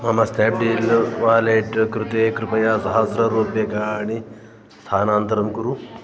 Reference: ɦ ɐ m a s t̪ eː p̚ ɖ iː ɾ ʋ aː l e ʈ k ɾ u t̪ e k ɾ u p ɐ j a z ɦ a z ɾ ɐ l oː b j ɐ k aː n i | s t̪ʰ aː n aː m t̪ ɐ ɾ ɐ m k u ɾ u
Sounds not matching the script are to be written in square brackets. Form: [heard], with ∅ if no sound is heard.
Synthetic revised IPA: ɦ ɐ m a s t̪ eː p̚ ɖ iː [l] ʋ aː l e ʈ k ɾ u t̪ e k ɾ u p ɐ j a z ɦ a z ɾ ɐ [ɾ] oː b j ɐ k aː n i | s t̪ʰ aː n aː [n] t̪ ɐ ɾ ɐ m k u ɾ u